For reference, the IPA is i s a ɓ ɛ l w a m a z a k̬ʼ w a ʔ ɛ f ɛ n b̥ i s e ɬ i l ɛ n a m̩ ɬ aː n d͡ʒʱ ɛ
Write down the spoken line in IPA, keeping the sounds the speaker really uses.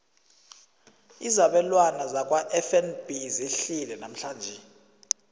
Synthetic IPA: i z a ɓ ɛ l w a n a z a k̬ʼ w a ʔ ɛ f ɛ n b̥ i z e ɬ i l ɛ n a m̩ ɬ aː n d͡ʒʱ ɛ